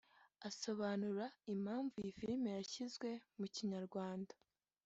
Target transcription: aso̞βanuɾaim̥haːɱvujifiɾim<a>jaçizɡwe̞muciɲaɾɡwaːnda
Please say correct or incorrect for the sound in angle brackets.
incorrect